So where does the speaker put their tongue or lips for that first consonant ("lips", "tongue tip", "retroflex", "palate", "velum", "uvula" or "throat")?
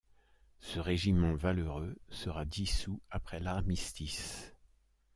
tongue tip